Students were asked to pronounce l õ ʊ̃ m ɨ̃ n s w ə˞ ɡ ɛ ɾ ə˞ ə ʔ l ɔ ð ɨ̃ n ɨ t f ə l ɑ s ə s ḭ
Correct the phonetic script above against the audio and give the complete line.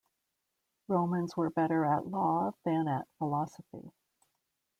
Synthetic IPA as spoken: ɹ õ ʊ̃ m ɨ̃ n z w ə˞ b ɛ ɾ ə˞ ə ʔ l ɔ ð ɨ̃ n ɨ t f ə l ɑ s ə f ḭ

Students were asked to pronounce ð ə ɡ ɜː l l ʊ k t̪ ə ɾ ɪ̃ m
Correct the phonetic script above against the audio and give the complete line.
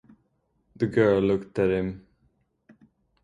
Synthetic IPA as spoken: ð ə ɡ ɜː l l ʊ k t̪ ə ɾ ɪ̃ m

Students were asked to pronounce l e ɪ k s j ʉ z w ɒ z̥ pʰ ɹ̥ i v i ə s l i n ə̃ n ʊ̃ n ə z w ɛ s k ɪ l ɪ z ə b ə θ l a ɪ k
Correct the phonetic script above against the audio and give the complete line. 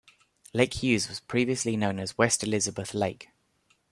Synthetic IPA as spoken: l e ɪ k h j ʉː z w ɒ z̥ pʰ ɹ̥ iː v i ə s l i n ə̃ ʊ̃ n ə z w ɛ s t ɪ l ɪ z ə b ə θ l e ɪ k

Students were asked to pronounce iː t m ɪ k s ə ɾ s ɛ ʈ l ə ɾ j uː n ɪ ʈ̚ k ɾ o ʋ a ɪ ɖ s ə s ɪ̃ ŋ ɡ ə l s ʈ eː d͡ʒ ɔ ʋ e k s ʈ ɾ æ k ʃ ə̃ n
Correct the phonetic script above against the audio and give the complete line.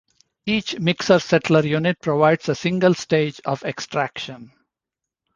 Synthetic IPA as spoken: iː t͡ʃ m ɪ k s ə ɾ s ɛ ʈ l ə ɾ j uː n ɪ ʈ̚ p ɾ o ʋ a ɪ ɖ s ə s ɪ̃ ŋ ɡ ə l s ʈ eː d͡ʒ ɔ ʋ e k s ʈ ɾ æ k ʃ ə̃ n

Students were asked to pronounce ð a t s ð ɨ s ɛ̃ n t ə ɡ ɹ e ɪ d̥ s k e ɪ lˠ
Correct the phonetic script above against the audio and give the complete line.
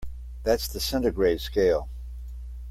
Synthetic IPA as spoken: ð æ t s ð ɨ s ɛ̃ n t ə ɡ ɹ e ɪ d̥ s k e ɪ lˠ

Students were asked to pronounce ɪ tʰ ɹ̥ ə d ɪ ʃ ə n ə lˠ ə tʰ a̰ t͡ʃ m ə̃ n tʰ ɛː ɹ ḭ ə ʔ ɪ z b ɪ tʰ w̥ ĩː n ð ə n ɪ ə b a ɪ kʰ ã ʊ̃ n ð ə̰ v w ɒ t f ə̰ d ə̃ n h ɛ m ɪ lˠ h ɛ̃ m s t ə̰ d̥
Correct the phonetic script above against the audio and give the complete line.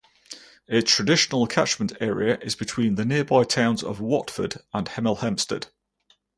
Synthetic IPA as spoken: ɪ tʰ ɹ̥ ə d ɪ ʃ ə n ə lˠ ə tʰ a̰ t͡ʃ m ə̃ n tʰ ɛː ɹ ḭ ə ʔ ɪ z b ɪ tʰ w̥ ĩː n ð ə n ɪ ə b a ɪ tʰ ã ʊ̃ n z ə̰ v w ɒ t f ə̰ d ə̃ n h ɛ m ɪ lˠ h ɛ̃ m s t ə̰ d̥

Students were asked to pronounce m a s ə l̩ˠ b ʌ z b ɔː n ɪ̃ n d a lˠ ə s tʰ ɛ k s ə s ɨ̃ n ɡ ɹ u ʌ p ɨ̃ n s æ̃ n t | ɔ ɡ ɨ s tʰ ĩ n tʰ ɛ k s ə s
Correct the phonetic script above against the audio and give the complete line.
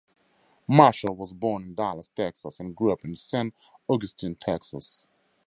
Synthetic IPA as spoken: m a ʃ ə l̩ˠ w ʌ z b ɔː n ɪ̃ n d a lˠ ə s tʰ ɛ k s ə s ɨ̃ n ɡ ɹ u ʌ p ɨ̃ n s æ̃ n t | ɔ ɡ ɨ s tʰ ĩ n tʰ ɛ k s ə s

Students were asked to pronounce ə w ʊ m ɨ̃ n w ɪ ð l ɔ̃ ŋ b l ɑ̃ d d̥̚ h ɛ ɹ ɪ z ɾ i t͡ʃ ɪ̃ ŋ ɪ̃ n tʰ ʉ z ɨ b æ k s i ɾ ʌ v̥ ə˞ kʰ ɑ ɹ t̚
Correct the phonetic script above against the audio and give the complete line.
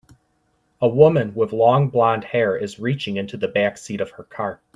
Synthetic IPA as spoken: ə w ʊ m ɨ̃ n w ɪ ð l ɔ̃ ŋ b l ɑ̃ n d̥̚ h ɛ ɹ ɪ z ɹ i t͡ʃ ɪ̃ ŋ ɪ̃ n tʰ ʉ ð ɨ b æ k s i ɾ ʌ v̥ ə˞ kʰ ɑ ɹ t̚

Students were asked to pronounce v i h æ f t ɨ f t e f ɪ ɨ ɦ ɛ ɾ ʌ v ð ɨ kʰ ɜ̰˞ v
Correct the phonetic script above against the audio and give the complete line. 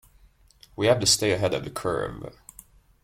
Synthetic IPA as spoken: w i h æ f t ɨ s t e ɪ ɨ ɦ ɛ ɾ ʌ v ð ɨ kʰ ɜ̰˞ v

